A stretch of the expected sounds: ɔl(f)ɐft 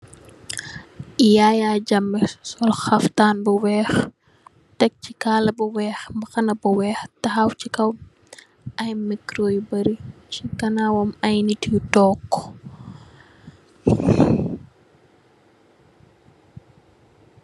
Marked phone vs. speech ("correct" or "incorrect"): incorrect